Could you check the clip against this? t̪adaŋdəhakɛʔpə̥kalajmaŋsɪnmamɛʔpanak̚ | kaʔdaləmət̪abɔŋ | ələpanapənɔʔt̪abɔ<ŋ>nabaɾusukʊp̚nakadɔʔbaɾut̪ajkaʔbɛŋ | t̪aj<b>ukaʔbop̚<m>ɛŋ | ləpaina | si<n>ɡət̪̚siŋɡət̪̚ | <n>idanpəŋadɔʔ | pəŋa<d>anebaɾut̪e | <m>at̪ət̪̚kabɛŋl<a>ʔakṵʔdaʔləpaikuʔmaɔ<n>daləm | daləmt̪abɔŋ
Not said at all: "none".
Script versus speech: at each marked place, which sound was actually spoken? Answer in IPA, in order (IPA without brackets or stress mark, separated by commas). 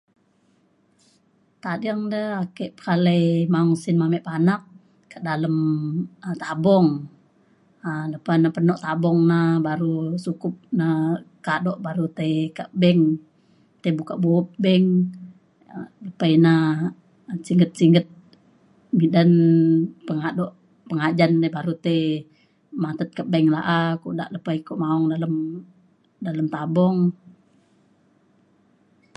ŋ, b, b, ŋ, m, d͡ʒ, m, a, ŋ